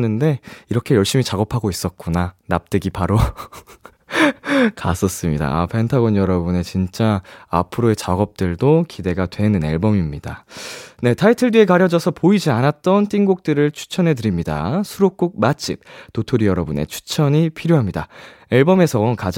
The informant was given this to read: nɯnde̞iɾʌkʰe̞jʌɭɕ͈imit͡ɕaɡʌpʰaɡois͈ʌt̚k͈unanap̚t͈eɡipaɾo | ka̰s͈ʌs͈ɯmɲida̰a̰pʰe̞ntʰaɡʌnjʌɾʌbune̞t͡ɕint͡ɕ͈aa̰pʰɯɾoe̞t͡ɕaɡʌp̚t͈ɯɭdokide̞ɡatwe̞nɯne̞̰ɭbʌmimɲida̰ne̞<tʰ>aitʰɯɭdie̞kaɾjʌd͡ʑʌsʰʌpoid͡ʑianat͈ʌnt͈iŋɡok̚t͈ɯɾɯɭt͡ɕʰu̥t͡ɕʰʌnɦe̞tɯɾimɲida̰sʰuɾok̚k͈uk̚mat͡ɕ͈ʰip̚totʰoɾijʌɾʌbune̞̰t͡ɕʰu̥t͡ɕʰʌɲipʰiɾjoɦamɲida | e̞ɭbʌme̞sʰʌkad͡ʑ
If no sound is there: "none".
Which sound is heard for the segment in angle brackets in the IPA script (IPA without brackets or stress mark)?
tʰ